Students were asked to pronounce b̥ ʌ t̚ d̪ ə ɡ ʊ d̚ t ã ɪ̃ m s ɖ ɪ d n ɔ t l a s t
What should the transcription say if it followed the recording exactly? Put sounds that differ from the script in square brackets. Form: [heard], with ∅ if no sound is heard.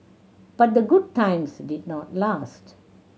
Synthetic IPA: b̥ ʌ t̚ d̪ ə ɡ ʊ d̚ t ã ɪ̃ m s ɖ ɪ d n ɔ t l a s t